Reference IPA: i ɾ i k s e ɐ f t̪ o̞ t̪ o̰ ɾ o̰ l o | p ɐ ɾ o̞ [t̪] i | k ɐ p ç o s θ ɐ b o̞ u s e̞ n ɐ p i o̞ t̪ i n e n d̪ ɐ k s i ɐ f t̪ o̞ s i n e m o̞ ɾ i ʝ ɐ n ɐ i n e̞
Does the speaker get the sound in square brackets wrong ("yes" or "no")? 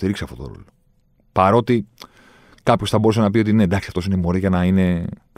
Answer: no